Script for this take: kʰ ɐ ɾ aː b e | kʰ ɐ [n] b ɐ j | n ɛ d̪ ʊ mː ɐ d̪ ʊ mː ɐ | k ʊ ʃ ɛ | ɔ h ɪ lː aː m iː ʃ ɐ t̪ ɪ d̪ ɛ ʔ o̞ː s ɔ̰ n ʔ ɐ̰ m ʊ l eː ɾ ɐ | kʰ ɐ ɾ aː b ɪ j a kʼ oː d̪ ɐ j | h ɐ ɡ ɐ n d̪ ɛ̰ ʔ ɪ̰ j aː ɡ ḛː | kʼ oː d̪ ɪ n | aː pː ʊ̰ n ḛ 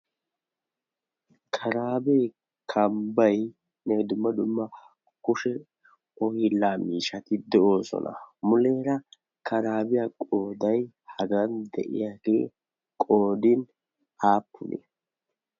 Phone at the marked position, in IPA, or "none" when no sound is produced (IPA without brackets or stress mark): m